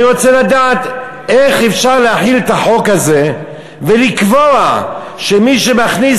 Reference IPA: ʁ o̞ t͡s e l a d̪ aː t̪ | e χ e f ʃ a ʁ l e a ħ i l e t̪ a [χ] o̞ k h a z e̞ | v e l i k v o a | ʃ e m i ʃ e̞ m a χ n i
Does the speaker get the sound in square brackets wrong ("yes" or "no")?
yes